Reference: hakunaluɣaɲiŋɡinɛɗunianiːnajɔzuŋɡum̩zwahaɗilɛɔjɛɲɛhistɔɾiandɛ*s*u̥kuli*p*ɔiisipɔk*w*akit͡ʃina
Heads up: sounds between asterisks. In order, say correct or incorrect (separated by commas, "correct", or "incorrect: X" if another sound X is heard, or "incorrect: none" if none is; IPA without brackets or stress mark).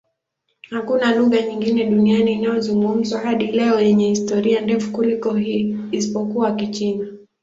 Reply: incorrect: f, incorrect: k, incorrect: u